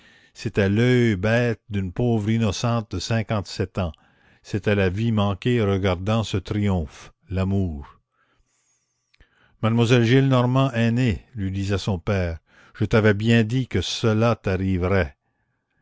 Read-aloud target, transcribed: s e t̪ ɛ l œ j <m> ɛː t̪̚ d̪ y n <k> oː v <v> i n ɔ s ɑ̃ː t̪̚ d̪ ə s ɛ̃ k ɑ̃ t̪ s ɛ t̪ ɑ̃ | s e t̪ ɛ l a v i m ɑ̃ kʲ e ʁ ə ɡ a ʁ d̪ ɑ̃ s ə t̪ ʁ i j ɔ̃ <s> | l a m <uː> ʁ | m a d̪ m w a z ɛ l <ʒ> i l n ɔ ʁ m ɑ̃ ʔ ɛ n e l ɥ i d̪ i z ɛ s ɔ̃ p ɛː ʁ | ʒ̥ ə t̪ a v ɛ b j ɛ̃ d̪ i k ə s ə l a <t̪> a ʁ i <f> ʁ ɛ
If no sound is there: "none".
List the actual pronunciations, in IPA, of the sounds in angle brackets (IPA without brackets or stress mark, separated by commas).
b, p, ʁ, f, uː, ʒ, t̪, v